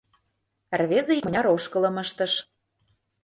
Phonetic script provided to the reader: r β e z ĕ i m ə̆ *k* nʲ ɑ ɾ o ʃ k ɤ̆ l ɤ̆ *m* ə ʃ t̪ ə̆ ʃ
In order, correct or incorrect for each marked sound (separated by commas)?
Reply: incorrect, correct